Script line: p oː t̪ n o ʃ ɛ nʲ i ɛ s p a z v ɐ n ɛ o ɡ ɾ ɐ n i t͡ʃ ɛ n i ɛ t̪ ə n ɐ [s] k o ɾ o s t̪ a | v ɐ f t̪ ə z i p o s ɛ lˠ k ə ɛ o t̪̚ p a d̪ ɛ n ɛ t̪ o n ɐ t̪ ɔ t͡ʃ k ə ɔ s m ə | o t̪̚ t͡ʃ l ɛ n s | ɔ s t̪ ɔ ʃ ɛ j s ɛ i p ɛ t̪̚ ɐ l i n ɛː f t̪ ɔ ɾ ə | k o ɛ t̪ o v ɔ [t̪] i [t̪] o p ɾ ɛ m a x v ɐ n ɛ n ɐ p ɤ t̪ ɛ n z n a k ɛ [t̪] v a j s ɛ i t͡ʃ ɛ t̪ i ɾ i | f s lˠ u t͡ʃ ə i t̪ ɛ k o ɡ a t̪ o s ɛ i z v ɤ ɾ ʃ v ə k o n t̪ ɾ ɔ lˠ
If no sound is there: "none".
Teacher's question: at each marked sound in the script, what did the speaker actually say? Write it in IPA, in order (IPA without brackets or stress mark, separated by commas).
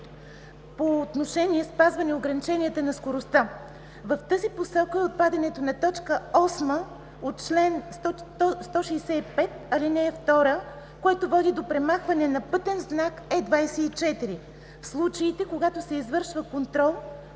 s, d̪, d̪, d̪